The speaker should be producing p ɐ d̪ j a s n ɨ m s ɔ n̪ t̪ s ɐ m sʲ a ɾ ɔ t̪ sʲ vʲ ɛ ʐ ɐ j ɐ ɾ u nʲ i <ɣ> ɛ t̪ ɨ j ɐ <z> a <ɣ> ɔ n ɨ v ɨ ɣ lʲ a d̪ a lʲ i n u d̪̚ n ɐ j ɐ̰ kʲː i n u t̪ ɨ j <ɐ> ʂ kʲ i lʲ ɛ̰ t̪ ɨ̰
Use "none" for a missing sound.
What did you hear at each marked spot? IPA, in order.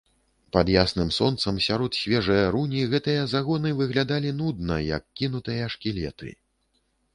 ɣ, z, ɣ, ɐ

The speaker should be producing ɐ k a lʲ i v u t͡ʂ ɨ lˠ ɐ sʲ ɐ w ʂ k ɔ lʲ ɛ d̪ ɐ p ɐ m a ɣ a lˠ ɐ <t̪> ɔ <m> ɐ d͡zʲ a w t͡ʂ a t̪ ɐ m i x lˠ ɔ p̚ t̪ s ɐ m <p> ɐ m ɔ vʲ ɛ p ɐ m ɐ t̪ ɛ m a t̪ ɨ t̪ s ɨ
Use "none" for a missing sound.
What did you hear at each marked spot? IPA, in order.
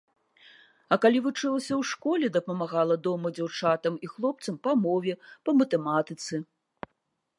d̪, m, p

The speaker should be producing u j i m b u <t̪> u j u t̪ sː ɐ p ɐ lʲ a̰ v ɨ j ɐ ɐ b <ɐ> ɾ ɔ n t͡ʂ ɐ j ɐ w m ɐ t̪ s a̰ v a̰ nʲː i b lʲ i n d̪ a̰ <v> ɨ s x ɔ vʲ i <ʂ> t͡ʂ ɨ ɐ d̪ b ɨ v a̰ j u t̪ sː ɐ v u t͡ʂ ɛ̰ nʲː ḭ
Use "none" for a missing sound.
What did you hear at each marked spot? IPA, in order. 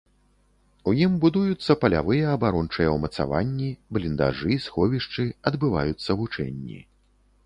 d̪, a, ʐ, ʂ

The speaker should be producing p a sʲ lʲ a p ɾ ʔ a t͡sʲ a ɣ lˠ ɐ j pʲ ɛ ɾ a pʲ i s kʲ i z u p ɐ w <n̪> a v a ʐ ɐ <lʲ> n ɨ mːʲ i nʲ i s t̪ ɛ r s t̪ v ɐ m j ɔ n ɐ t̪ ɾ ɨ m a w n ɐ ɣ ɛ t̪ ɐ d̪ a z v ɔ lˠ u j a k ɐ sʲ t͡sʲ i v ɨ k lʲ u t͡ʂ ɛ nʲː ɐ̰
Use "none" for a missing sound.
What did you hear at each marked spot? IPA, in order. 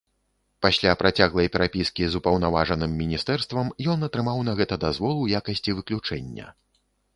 n̪, none

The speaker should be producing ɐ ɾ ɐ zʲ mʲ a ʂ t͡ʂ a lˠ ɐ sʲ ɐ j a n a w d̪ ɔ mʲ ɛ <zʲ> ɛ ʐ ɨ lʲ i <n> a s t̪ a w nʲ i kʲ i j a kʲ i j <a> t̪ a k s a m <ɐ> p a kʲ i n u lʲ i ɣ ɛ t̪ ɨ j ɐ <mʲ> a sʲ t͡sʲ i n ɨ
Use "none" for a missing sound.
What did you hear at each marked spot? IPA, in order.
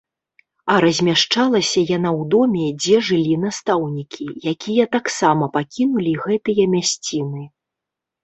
d͡zʲ, n, ɐ, ɐ, mʲ

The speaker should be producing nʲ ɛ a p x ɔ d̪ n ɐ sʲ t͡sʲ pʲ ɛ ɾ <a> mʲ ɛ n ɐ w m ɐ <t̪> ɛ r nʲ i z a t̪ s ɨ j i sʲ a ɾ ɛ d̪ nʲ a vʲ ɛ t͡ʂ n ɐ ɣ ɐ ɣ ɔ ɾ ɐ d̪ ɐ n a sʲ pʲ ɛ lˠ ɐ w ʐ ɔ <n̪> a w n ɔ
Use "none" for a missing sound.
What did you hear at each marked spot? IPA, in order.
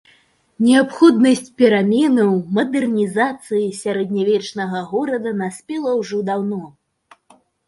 a, d̪, d̪

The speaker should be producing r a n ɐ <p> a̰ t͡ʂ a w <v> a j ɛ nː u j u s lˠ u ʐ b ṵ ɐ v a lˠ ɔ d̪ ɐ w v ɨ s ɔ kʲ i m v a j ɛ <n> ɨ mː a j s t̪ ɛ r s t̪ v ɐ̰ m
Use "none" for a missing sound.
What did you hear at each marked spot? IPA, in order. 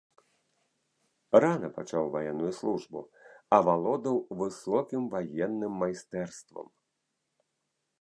p, v, nː

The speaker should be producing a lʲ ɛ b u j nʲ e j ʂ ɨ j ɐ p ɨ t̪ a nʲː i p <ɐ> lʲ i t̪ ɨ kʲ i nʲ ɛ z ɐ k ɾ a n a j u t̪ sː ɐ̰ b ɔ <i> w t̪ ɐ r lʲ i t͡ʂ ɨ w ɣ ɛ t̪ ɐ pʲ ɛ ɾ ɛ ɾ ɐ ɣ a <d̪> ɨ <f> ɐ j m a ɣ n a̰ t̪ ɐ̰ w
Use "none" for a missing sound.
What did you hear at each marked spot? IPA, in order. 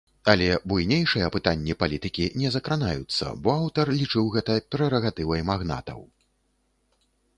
a, a, t̪, v

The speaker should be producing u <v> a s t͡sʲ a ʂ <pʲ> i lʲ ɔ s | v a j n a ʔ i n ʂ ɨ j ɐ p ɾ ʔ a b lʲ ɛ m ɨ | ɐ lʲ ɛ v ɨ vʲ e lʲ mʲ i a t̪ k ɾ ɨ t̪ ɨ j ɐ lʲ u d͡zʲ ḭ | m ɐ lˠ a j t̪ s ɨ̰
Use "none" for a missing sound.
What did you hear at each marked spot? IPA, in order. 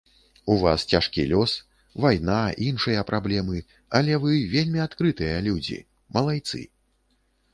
v, kʲ

